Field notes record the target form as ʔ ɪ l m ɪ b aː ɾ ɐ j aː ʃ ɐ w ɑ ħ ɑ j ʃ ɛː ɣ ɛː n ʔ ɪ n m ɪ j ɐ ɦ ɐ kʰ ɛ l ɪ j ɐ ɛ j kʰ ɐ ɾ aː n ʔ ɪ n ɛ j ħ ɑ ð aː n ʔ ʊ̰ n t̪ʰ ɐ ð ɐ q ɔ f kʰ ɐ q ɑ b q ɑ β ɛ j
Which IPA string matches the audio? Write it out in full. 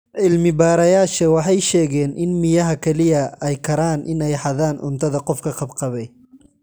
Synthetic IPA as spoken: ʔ ɪ l m ɪ b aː ɾ ɐ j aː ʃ ɐ w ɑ ħ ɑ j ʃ ɛː ɣ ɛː n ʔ ɪ n m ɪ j ɐ ɦ ɐ kʰ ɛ l ɪ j ɐ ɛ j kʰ ɐ ɾ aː n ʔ ɪ n ɛ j ħ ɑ ð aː n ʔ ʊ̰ n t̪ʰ ɐ ð ɐ q ɔ f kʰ ɐ q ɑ b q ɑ β ɛ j